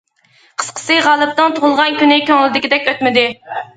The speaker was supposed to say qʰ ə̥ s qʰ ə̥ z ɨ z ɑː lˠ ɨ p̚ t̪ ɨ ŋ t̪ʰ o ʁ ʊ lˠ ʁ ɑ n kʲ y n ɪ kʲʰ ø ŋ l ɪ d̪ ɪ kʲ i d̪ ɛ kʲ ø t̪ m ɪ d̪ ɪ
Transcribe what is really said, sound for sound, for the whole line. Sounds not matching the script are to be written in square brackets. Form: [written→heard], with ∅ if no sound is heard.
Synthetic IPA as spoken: qʰ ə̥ s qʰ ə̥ [z→s] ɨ [z→ʁ] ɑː lˠ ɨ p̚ t̪ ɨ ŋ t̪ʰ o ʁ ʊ lˠ ʁ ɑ n kʲ y n ɪ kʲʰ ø ŋ l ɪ d̪ ɪ kʲ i d̪ ɛ kʲ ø t̪ m ɪ d̪ ɪ

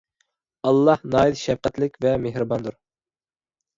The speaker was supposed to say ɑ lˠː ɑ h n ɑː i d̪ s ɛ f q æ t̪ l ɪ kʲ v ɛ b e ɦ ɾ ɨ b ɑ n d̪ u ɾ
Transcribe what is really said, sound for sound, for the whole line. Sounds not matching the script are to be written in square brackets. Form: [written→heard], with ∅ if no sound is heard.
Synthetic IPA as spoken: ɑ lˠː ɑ h n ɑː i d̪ [s→ʃ] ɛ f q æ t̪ l ɪ kʲ v ɛ [b→m] e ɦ ɾ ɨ b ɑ n d̪ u ɾ

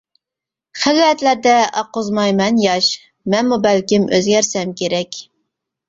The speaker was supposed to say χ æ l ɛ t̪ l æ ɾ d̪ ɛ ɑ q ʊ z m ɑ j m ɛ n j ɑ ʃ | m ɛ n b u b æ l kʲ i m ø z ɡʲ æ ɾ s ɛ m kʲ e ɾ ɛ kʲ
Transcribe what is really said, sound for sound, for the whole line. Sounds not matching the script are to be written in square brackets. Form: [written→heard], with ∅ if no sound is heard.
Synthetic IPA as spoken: χ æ l ɛ t̪ l æ ɾ d̪ ɛ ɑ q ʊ z m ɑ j m ɛ n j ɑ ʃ | m ɛ n [b→m] u b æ l kʲ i m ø z ɡʲ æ ɾ s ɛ m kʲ e ɾ ɛ kʲ

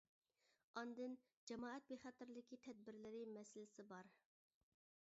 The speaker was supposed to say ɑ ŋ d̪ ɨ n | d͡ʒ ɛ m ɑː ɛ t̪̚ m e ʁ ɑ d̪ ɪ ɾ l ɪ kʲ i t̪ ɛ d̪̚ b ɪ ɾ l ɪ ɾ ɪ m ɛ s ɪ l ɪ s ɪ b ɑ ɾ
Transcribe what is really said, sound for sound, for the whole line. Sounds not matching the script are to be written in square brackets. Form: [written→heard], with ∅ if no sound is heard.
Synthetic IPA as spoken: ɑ [ŋ→n] d̪ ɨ n | d͡ʒ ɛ m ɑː ɛ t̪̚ [m→b] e [ʁ→χ] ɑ [d̪→t̪] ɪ ɾ l ɪ kʲ i [t̪→t̪ʰ] ɛ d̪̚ b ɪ ɾ l ɪ ɾ ɪ m ɛ s ɪ l ɪ s ɪ b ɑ ɾ

